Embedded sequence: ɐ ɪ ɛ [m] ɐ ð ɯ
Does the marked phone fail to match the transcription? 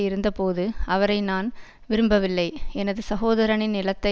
yes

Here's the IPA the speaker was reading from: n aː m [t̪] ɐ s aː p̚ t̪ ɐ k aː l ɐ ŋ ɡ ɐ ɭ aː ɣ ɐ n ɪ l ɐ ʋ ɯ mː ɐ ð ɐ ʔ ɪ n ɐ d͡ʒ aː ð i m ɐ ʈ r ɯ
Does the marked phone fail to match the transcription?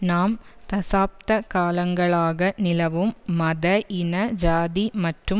no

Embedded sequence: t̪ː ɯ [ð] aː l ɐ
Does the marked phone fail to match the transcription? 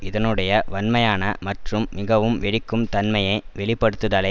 no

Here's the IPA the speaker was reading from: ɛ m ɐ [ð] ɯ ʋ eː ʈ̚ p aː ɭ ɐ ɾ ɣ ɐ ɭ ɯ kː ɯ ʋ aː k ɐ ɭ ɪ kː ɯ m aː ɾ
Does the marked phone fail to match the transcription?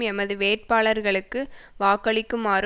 no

